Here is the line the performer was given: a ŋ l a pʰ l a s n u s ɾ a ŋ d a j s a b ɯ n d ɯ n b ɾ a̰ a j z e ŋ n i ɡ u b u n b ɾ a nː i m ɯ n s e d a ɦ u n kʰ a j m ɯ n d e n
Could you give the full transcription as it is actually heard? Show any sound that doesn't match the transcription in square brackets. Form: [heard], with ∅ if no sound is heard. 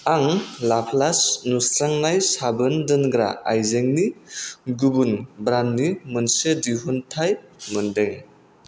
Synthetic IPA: a ŋ l a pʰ l a s n u s ɾ a ŋ [n] a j s a b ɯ n d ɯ n [ɡ] ɾ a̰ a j z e ŋ n i ɡ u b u n b ɾ a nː i m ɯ n s e d [i] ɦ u n [tʰ] a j m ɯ n d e [ŋ]